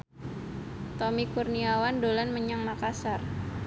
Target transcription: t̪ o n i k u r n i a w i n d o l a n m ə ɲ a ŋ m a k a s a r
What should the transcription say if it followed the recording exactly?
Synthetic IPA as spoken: t̪ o m i k u r n i a w a n d o l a n m ə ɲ a ŋ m a k a s a r